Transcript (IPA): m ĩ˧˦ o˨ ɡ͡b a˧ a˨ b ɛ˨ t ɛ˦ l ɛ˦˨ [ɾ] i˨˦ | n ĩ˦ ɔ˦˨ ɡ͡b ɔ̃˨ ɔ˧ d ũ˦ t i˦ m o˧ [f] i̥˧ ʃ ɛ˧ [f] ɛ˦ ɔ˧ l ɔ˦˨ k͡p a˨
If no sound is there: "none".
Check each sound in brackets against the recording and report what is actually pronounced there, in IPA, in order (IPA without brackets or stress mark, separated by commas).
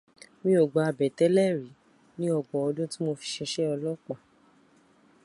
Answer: ɾ, f, ʃ